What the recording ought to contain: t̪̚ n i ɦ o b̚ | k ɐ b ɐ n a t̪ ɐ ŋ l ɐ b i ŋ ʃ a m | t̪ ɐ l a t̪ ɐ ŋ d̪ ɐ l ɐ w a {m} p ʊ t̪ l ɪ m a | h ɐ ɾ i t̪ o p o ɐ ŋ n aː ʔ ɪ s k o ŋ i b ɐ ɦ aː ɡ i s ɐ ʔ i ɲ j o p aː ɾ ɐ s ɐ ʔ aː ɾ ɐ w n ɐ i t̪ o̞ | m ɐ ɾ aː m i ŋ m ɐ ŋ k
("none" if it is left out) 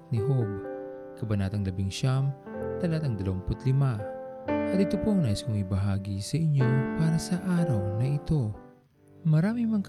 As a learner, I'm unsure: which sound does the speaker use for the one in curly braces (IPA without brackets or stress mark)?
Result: ŋ